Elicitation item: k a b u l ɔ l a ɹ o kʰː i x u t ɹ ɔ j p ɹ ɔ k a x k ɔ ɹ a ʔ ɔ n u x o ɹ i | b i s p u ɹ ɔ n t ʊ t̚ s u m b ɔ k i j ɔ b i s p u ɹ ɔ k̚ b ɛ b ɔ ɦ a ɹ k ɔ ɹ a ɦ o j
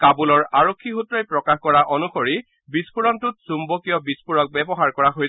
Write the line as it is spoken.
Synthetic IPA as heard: k a b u l ɔ ɹ a ɹ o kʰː i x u t ɹ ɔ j p ɹ ɔ k a x k ɔ ɹ a ʔ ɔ n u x o ɹ i | b i s p u ɹ ɔ n t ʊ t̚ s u m b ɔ k i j ɔ b i s p u ɹ ɔ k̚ b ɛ b ɔ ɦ a ɹ k ɔ ɹ a ɦ o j